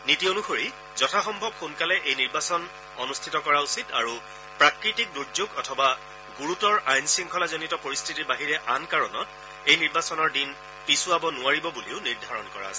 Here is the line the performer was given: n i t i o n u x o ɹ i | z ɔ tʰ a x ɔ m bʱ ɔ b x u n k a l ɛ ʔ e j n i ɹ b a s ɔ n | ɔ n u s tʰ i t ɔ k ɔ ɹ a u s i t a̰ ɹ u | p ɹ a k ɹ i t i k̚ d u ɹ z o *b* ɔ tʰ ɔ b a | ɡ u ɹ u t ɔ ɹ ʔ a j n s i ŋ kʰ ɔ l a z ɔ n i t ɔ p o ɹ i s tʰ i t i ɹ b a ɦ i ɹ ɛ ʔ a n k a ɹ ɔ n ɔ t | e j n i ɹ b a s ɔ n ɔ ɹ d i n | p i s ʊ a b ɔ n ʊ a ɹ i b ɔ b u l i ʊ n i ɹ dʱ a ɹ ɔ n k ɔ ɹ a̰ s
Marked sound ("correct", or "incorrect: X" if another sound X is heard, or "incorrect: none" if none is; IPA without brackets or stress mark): incorrect: ɡ